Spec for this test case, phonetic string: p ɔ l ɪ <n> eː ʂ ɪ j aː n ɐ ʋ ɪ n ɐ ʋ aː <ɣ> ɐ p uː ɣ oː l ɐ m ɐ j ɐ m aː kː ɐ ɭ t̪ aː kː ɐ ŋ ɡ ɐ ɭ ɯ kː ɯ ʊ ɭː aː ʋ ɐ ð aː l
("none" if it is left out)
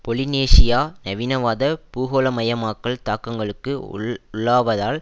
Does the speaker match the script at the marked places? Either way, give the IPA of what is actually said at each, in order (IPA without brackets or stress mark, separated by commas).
n, ð